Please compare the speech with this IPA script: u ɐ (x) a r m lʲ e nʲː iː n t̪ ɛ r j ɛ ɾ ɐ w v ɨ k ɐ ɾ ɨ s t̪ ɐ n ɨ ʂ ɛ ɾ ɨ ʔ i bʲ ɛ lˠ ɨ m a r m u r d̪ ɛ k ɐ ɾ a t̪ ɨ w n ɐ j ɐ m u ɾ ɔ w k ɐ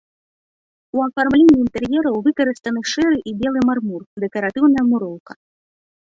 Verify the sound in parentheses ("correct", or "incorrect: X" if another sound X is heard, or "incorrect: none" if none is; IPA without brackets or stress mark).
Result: incorrect: f